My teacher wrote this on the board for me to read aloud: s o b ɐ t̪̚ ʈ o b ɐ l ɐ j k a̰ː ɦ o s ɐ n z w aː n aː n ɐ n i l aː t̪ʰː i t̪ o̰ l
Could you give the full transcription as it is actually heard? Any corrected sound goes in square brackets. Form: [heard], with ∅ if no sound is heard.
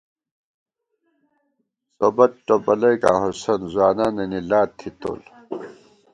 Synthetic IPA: s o b ɐ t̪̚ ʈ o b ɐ l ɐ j k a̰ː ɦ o s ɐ n z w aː n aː n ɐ n i l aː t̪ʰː i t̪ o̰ l